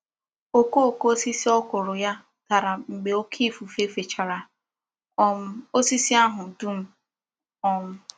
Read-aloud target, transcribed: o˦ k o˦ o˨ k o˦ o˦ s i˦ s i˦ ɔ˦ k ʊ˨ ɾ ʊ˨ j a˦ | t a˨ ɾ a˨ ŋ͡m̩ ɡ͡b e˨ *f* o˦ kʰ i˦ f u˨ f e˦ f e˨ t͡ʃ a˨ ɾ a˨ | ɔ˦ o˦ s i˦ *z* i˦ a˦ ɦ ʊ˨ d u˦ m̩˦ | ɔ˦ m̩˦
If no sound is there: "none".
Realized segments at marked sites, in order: none, s

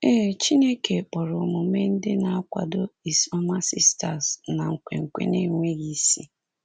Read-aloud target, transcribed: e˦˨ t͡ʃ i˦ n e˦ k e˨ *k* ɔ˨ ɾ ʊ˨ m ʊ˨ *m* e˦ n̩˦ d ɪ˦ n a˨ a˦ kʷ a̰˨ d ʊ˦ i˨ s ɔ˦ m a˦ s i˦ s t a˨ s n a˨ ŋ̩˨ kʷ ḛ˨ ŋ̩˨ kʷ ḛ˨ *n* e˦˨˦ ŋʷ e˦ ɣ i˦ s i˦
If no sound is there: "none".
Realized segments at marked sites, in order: k͡p, m, n

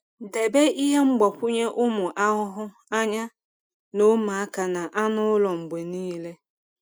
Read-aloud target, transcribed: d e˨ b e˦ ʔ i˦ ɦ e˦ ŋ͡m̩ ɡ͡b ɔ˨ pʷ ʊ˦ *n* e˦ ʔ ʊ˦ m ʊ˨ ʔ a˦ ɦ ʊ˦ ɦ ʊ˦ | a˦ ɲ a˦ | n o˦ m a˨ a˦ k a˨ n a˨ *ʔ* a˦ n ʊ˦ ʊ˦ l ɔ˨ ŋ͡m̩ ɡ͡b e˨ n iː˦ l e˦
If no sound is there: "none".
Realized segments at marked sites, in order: ɲ, ʔ

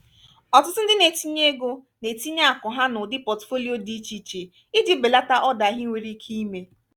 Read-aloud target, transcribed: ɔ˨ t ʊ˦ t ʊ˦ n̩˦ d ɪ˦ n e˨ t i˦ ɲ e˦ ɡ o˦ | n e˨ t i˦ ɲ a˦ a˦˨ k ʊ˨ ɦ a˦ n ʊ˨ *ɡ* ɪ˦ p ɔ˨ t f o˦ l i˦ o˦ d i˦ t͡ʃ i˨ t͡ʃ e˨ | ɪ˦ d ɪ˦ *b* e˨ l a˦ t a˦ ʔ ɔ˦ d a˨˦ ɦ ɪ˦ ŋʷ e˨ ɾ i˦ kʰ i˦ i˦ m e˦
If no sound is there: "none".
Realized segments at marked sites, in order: d, b

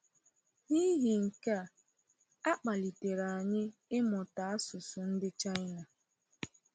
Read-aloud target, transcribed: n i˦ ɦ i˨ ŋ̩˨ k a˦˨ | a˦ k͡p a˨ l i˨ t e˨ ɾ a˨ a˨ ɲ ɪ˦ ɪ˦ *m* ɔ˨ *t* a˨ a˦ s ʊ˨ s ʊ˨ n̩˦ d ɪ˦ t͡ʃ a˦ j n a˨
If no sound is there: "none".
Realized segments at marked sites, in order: m, t

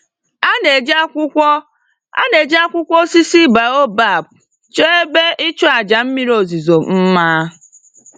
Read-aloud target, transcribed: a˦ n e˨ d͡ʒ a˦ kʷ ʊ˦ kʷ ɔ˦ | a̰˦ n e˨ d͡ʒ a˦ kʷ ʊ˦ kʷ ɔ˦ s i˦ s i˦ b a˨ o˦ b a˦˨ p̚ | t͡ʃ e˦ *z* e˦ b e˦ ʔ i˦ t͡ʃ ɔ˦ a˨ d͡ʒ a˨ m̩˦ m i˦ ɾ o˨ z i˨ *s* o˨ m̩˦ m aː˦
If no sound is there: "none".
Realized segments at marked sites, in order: none, z

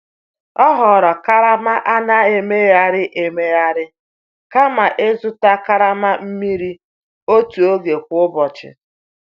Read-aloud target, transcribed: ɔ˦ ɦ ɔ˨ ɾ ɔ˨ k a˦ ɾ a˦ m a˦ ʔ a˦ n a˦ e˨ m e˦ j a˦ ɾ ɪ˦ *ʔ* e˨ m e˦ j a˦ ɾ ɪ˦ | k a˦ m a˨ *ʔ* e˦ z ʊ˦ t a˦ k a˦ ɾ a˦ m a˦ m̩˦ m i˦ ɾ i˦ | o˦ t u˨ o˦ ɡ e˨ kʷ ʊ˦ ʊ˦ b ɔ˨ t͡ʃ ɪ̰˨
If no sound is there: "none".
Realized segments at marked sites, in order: ʔ, ʔ

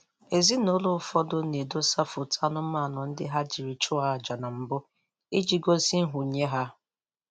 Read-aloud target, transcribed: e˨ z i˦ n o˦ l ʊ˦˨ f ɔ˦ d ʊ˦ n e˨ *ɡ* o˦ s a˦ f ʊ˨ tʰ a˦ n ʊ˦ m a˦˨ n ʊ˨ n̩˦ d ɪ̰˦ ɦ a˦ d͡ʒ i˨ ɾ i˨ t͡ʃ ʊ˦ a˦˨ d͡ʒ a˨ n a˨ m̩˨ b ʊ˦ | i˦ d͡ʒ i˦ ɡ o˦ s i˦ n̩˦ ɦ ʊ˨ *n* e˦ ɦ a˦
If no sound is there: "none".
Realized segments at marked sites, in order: d, ɲ

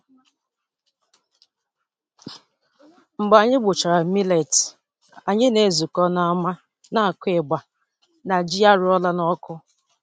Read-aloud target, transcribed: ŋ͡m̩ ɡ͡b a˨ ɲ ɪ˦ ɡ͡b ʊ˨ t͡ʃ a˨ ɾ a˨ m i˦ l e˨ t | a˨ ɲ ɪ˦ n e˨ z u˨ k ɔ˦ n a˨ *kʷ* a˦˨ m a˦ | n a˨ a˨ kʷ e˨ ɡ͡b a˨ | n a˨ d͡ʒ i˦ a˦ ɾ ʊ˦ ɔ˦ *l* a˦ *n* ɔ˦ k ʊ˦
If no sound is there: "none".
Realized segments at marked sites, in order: none, l, n

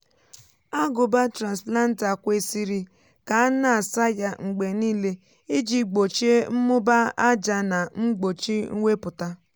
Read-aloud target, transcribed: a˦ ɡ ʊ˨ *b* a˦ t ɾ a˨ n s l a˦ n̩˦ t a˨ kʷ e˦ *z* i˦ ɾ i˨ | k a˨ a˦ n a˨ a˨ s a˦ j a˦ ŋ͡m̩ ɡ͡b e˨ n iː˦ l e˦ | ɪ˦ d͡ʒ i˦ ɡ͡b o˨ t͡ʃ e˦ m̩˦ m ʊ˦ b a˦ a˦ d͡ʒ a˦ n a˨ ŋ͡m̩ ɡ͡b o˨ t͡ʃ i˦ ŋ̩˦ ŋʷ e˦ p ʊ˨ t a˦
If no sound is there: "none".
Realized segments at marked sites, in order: b, s

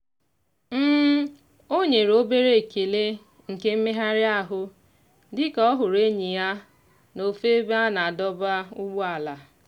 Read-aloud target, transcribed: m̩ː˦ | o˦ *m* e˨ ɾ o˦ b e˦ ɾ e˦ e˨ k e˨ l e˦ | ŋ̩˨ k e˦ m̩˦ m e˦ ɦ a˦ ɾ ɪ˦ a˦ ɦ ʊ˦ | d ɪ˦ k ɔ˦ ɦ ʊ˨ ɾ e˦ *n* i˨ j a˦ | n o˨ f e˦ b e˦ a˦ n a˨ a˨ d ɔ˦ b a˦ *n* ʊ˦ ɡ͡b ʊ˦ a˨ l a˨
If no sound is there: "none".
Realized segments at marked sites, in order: ɲ, ɲ, none

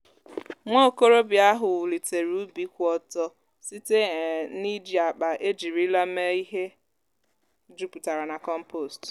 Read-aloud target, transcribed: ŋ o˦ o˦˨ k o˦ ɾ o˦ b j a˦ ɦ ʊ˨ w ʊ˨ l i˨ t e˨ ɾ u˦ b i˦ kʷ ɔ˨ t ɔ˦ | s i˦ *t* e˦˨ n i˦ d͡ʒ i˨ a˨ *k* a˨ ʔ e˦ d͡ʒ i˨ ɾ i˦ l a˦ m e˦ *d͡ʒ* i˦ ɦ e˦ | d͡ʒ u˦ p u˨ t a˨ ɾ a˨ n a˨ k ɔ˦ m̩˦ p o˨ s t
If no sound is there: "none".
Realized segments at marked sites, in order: t, k͡p, none

